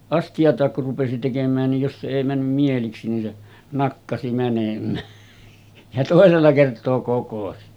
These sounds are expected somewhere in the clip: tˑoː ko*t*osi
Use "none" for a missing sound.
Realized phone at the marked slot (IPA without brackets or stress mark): k